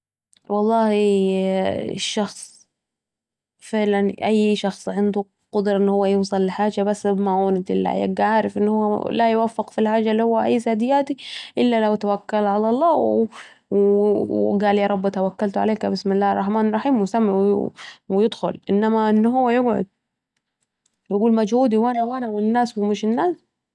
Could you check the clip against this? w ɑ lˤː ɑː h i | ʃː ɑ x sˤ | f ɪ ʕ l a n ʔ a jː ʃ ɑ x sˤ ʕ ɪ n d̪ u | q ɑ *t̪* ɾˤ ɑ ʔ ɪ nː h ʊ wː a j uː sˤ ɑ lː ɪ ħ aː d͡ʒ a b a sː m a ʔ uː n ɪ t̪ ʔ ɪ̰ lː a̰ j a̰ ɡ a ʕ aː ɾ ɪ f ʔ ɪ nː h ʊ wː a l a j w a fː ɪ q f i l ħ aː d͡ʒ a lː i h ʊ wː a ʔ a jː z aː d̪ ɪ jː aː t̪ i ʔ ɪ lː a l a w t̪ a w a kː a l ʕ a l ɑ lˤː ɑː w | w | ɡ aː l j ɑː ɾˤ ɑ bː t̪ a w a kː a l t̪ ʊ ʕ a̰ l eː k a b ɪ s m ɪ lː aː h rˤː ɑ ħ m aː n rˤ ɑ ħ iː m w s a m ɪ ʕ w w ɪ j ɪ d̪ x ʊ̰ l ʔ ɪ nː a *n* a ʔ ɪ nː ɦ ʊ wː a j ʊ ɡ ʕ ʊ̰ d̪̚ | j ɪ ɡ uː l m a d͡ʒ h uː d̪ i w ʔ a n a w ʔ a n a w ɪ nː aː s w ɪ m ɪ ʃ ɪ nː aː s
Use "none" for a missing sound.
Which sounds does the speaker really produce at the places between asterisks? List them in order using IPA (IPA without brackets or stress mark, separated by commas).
d̪, m